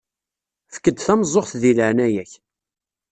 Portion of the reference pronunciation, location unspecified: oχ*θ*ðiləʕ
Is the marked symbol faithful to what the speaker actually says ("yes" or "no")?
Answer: yes